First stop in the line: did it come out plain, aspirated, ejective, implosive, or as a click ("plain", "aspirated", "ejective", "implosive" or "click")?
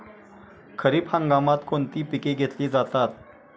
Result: aspirated